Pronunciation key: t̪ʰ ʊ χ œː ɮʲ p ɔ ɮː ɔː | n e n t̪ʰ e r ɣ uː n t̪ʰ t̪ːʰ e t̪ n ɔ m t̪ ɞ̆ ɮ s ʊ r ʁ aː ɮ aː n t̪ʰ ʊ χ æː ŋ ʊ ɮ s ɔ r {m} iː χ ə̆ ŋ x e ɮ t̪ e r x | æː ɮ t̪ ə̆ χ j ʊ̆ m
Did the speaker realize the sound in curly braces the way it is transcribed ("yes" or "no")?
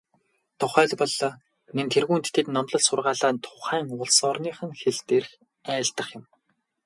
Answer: no